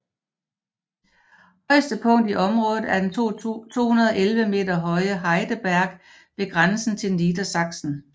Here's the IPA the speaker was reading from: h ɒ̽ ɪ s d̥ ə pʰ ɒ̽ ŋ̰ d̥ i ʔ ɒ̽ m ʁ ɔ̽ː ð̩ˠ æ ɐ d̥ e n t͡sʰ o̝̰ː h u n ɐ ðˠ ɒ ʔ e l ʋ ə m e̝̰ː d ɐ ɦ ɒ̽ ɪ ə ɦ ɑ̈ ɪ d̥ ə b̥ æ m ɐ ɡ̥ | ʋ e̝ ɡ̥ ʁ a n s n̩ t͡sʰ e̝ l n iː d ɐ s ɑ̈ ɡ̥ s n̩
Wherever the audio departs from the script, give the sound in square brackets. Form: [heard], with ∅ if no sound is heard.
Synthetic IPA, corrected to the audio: h ɒ̽ ɪ s d̥ ə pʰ [ɔ̽] ŋ̰ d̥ i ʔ ɒ̽ m ʁ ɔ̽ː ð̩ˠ æ ɐ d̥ e n t͡sʰ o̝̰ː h u n ɐ ðˠ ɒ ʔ e l ʋ ə m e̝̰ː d ɐ ɦ ɒ̽ ɪ ə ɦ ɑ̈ ɪ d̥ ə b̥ æ [∅] ɐ ɡ̥ | ʋ e̝ ɡ̥ ʁ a n s n̩ t͡sʰ e̝ l n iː d ɐ s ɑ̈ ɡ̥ s n̩